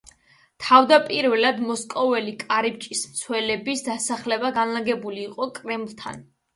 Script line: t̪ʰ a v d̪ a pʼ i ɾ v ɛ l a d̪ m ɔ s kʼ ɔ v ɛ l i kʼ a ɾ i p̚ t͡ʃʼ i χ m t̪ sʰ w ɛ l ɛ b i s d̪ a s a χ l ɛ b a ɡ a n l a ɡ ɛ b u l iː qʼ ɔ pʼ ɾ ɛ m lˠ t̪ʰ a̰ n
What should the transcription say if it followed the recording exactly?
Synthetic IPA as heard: t̪ʰ a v d̪ a pʼ i ɾ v ɛ l a d̪ m ɔ s kʼ ɔ v ɛ l i kʼ a ɾ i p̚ t͡ʃʼ i s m t̪ sʰ w ɛ l ɛ b i s d̪ a s a χ l ɛ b a ɡ a n l a ɡ ɛ b u l iː qʼ ɔ kʼ ɾ ɛ m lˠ t̪ʰ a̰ n